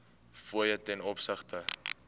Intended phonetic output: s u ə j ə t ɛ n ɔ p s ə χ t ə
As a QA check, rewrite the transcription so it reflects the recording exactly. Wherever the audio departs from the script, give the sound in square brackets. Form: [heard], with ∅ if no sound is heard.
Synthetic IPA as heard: [f] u ə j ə t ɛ n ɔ p s ə χ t ə